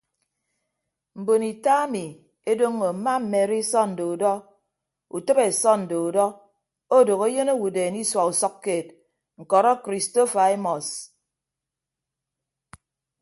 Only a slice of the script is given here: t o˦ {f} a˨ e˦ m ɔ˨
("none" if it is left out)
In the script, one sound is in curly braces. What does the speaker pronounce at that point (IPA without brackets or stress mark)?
f